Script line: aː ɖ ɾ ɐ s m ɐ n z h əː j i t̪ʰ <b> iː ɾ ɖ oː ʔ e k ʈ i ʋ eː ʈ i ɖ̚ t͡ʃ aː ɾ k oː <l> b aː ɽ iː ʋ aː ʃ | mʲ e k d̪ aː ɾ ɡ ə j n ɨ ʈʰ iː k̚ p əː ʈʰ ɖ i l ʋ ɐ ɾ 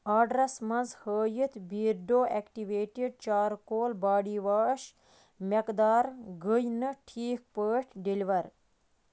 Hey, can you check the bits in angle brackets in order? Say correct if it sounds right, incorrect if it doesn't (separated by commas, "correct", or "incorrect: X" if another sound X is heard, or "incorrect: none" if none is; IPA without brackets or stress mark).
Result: correct, correct